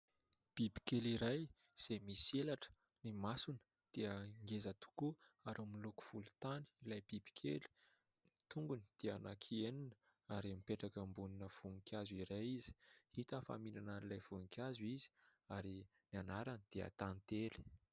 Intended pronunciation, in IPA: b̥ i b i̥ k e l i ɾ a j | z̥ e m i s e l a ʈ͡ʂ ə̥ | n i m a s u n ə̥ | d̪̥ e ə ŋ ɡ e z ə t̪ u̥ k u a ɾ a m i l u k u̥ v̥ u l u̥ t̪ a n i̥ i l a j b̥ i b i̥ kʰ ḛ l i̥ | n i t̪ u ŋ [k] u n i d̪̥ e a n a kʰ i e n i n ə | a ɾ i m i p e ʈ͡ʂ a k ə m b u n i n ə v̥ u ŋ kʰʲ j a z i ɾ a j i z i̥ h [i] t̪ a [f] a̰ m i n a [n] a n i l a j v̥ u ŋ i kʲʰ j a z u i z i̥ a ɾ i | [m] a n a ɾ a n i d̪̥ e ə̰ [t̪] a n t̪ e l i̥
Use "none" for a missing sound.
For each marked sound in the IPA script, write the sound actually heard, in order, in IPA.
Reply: ɡ, i, f, n, n, t̪

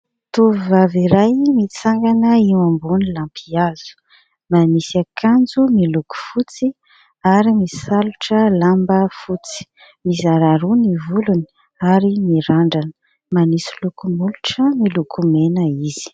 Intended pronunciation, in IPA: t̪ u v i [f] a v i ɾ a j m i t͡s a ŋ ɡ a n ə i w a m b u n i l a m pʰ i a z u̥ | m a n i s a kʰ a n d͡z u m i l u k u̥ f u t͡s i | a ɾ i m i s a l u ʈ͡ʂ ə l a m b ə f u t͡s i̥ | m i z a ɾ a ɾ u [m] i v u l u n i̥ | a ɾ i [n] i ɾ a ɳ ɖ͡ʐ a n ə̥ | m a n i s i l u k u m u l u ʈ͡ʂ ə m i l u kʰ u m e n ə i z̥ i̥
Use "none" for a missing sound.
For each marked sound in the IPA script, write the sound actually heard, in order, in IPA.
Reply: v, n, m

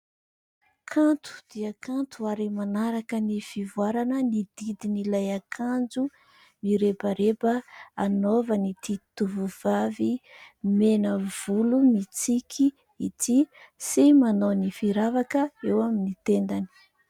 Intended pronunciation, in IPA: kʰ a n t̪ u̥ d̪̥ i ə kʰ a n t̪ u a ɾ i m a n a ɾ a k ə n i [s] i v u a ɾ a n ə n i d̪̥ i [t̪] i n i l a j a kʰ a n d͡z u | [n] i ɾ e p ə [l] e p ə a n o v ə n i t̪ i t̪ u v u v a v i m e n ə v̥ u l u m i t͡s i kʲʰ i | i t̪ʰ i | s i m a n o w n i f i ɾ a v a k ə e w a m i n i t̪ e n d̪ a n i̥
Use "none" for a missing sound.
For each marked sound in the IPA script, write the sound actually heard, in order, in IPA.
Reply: f, d̪, m, ɾ

